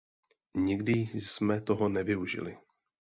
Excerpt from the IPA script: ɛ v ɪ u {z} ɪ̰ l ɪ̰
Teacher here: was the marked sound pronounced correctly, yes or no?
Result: no